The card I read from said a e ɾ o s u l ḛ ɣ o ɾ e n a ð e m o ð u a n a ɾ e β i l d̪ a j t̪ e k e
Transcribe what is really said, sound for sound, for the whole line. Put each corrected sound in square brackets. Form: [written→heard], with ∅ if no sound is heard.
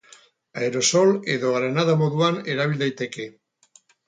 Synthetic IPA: a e ɾ o s [u→o] l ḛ [ɣ→ð] o ɾ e n a ð [e→a] m o ð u a n [a→e] ɾ [e→a] β i l d̪ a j t̪ e k e